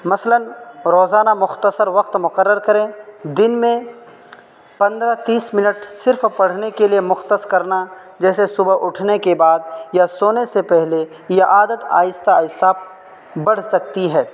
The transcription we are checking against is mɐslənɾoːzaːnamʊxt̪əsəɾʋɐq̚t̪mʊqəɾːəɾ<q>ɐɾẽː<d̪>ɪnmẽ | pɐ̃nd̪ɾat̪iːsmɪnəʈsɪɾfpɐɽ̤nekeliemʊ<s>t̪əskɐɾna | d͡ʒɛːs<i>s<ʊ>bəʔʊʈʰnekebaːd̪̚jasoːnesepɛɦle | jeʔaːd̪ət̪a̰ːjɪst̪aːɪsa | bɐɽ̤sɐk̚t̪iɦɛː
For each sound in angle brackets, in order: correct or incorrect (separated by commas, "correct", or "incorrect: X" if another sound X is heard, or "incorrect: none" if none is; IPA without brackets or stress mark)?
incorrect: k, correct, incorrect: x, incorrect: e, correct